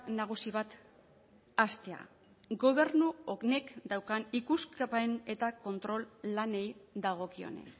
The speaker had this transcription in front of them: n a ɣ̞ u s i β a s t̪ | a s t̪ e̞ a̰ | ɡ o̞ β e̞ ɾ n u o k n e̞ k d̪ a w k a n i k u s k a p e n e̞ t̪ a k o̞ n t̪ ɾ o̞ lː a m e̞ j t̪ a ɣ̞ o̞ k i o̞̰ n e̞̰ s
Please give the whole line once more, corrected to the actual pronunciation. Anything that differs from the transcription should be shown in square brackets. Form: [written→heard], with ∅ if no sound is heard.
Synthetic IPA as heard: n a ɣ̞ u s i β a [s→∅] t̪ | a s t̪ e̞ a̰ | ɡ o̞ β e̞ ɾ n u o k n e̞ k d̪ a w k a n i k u s k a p e n e̞ t̪ a k o̞ n t̪ ɾ o̞ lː a [m→n] e̞ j [t̪→d̪] a ɣ̞ o̞ k i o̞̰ n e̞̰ s